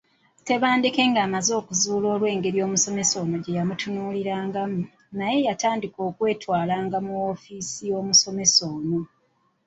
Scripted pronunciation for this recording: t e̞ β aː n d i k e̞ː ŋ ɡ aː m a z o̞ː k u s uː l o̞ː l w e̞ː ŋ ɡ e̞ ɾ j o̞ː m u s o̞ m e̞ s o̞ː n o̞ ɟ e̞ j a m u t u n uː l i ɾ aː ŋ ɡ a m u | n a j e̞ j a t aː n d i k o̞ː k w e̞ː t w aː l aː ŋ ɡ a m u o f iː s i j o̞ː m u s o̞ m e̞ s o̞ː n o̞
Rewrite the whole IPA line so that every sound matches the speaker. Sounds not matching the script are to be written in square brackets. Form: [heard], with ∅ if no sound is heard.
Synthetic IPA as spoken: t e̞ β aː n d i k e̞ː ŋ ɡ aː m a z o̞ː k u [z] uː l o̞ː l w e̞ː ŋ ɡ e̞ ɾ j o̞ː m u s o̞ m e̞ s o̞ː n o̞ ɟ e̞ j a m u t u n uː l i ɾ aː ŋ ɡ a m u | n a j e̞ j a t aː n d i k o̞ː k w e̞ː t w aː l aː ŋ ɡ a m u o f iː s i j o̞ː m u s o̞ m e̞ s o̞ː n o̞